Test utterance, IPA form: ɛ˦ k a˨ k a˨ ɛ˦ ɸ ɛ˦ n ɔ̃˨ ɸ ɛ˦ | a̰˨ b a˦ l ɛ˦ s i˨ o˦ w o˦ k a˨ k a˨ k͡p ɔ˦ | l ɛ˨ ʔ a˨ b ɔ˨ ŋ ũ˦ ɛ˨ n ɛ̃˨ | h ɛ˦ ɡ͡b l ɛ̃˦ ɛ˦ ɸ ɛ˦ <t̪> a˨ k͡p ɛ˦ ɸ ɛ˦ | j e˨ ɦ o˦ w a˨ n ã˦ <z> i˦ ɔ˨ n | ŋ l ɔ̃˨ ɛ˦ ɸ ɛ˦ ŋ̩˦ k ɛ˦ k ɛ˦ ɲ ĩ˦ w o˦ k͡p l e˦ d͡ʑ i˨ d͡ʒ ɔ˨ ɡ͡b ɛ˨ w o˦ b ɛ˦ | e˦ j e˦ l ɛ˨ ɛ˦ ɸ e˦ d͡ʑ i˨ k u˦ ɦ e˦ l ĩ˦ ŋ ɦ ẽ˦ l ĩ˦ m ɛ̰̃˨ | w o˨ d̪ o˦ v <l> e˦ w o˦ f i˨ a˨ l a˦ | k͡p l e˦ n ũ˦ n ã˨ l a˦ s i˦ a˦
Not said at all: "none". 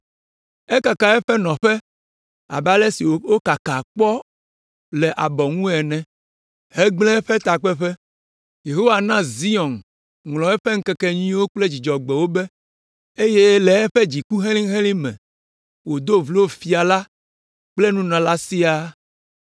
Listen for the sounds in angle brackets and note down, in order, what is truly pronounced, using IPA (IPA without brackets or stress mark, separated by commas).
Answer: t̪, z, l